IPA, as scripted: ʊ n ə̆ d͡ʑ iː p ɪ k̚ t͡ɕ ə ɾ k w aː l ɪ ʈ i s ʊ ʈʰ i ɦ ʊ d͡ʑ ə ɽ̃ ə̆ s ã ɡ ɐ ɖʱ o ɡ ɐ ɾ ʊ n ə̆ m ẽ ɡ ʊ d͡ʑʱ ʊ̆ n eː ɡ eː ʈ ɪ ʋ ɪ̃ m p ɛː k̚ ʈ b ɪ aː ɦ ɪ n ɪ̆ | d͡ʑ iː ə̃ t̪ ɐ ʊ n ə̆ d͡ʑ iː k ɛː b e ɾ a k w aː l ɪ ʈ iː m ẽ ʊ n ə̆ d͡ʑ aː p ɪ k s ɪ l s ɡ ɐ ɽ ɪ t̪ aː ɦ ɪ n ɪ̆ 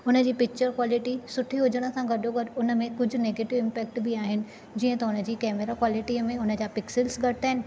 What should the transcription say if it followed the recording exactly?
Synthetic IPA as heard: ʊ n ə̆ d͡ʑ iː p ɪ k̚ t͡ɕ ə ɾ k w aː l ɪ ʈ i s ʊ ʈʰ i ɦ ʊ d͡ʑ ə ɽ̃ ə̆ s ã ɡ ɐ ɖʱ o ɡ ɐ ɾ ʊ n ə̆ m ẽ k ʊ d͡ʑʱ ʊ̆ n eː ɡ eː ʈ ɪ ʋ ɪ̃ m p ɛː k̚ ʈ b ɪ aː ɦ ɪ n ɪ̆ | d͡ʑ iː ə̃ t̪ ɐ ʊ n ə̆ d͡ʑ iː k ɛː m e ɾ a k w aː l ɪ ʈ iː m ẽ ʊ n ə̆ d͡ʑ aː p ɪ k s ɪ l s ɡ ɐ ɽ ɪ t̪ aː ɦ ɪ n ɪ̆